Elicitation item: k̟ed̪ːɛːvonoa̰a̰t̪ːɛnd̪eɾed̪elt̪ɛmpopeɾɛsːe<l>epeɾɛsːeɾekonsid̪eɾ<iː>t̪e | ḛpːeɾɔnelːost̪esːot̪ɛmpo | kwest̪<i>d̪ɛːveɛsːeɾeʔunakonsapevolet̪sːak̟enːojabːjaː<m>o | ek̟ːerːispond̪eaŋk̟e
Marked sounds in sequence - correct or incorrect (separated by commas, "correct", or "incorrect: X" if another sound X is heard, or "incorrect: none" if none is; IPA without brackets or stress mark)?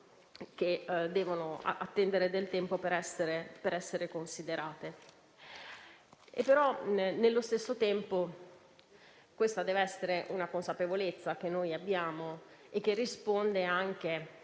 incorrect: ɾ, incorrect: aː, incorrect: a, correct